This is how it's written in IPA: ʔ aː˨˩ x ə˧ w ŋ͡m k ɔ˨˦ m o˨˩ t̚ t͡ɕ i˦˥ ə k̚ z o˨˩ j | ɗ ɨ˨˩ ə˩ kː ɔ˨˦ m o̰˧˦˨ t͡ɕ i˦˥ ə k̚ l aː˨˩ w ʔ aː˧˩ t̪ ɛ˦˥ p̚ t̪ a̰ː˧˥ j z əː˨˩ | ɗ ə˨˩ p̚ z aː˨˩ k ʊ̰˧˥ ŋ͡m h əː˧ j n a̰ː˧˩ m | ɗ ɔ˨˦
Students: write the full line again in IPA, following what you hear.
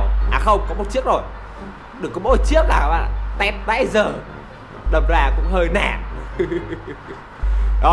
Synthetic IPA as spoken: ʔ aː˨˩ x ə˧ w ŋ͡m k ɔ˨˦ m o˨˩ t̚ t͡ɕ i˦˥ ə k̚ z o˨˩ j | ɗ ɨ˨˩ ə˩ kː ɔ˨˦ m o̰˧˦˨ t͡ɕ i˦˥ ə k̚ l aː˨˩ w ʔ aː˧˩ t̪ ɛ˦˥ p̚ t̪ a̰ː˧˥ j z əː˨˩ | ɗ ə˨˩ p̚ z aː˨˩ k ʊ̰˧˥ ŋ͡m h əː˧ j n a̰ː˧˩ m | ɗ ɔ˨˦